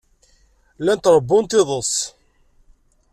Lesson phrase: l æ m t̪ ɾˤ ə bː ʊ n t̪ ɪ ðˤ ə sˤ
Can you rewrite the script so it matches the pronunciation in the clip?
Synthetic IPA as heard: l æ n t̪ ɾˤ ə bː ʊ n t̪ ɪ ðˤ ə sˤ